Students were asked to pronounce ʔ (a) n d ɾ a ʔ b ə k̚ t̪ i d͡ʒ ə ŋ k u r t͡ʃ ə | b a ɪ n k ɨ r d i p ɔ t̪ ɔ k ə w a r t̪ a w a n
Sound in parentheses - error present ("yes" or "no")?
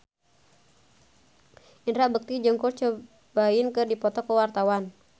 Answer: yes